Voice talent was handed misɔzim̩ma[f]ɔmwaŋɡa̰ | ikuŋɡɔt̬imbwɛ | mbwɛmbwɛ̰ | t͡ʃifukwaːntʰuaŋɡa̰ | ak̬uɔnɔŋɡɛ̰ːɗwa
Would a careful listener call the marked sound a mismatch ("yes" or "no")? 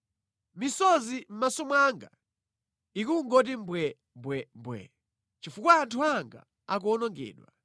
yes